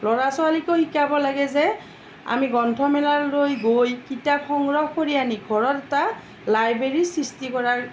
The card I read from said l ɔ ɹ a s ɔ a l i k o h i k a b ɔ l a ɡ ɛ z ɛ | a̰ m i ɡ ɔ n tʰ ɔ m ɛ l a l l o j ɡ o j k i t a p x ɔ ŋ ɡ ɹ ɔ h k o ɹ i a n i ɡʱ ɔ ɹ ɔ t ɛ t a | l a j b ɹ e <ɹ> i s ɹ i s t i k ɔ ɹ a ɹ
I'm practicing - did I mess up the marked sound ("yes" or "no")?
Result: no